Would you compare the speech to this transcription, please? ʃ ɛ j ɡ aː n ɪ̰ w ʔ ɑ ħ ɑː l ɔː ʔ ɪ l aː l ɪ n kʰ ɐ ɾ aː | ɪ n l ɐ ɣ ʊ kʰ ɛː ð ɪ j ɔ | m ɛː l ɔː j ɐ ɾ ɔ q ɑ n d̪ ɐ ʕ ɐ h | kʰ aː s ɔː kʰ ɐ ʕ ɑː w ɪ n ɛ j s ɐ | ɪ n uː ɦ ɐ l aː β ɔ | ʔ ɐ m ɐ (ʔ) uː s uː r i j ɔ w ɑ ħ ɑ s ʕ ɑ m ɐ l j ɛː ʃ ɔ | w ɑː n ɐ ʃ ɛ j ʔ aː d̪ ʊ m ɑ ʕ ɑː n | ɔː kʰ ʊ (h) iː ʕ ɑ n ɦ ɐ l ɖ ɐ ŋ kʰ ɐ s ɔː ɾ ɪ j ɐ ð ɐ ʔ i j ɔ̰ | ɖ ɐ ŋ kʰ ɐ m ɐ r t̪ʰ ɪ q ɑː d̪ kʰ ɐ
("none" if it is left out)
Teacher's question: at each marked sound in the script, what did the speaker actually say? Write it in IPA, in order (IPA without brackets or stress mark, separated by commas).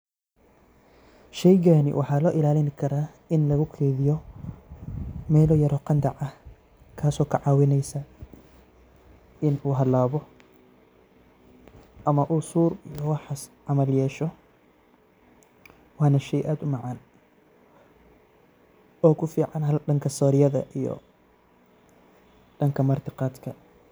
ʔ, f